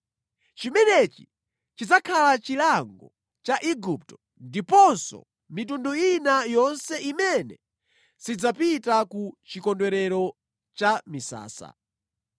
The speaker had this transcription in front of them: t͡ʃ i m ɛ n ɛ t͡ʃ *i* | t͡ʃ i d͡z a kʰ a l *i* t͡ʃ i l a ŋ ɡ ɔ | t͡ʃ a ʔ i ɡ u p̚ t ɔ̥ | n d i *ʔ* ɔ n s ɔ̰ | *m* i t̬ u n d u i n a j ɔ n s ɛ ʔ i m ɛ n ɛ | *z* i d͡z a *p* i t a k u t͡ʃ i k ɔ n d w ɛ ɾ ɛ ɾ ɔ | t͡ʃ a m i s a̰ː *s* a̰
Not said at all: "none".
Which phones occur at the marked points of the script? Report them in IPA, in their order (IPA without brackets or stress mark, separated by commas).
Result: i, a, p, m, s, p, s